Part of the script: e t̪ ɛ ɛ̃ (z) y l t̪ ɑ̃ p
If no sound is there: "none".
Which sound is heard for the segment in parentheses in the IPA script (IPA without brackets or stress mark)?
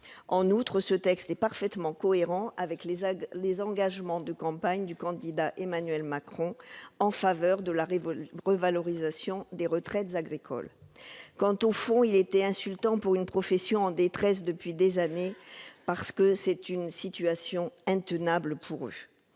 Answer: s